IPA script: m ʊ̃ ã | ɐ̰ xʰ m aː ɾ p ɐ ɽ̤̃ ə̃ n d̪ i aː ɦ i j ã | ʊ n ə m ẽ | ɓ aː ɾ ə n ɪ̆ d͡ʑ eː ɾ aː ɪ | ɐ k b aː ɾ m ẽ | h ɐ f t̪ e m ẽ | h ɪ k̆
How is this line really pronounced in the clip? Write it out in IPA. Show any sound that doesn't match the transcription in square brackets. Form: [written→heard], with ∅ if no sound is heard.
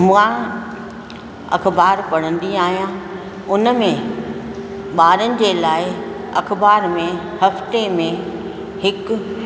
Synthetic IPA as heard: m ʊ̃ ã | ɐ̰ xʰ [m→b] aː ɾ p ɐ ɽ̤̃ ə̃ n d̪ i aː ɦ i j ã | ʊ n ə m ẽ | ɓ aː ɾ ə n ɪ̆ d͡ʑ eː [ɾ→l] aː ɪ | ɐ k b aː ɾ m ẽ | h ɐ f t̪ e m ẽ | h ɪ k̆